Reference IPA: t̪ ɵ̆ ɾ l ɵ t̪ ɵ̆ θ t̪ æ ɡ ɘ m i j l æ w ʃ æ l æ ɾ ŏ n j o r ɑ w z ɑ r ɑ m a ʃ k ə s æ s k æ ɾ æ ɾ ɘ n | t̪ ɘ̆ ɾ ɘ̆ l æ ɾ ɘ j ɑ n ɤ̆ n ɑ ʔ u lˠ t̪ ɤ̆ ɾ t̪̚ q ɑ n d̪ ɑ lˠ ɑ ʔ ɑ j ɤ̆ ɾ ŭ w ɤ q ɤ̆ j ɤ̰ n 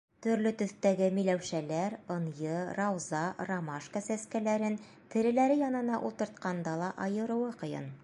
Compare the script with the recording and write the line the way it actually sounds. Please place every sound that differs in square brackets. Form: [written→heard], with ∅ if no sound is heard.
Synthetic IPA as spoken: t̪ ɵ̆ ɾ l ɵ t̪ ɵ̆ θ t̪ æ ɡ ɘ m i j l æ w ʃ æ l æ ɾ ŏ n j [o→ɤ] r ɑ w z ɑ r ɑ m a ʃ k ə s æ s k æ [ɾ→l] æ ɾ ɘ n | t̪ ɘ̆ ɾ ɘ̆ l æ ɾ ɘ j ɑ n ɤ̆ n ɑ ʔ u lˠ t̪ ɤ̆ ɾ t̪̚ q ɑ n d̪ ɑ lˠ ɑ ʔ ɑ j ɤ̆ ɾ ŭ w ɤ q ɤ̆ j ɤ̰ n